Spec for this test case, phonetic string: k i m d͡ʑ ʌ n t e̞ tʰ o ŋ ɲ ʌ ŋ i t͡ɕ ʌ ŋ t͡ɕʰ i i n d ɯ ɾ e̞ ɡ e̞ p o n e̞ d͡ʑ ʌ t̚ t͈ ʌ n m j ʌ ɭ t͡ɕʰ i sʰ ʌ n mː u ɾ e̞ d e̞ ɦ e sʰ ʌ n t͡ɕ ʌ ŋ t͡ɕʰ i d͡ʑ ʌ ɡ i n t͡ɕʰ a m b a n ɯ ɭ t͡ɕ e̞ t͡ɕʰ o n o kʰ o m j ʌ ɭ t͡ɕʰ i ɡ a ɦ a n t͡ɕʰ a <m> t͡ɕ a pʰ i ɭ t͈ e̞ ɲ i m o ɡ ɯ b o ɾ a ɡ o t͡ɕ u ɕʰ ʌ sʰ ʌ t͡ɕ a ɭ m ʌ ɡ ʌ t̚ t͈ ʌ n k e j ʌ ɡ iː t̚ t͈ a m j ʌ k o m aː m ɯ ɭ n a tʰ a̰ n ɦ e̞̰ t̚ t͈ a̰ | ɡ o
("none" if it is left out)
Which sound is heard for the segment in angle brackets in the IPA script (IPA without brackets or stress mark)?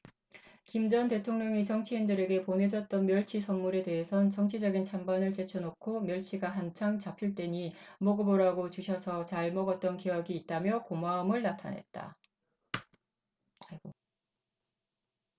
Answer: ŋ